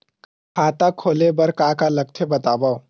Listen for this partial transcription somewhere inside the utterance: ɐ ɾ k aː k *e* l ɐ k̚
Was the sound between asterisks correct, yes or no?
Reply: no